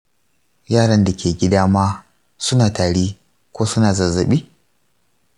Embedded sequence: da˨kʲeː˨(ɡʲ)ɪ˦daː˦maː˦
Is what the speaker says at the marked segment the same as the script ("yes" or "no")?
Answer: yes